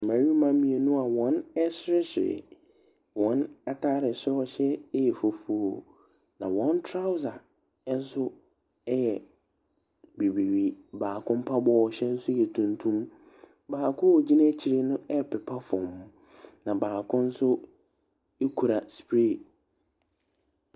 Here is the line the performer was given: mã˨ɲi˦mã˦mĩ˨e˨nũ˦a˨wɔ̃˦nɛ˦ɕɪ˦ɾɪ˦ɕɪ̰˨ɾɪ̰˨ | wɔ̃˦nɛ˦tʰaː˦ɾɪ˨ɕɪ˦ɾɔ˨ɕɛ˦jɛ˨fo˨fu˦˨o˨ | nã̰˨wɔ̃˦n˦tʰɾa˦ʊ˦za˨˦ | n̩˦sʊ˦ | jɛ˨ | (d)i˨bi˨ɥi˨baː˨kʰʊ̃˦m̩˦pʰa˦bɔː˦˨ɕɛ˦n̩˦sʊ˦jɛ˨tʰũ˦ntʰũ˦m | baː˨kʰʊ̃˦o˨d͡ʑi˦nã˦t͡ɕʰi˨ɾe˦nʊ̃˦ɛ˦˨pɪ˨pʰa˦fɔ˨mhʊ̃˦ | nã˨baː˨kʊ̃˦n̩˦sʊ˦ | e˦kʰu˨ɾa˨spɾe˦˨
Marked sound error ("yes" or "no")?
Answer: yes